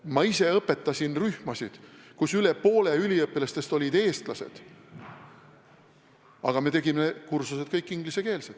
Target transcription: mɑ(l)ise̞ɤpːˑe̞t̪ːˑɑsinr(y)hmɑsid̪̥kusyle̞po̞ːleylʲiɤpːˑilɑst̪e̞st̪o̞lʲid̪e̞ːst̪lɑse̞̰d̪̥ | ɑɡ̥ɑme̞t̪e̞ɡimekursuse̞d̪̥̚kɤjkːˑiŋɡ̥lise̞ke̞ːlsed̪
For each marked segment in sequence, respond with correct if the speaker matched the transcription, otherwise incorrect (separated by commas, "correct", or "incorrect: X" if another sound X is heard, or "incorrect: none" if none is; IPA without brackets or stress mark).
incorrect: none, correct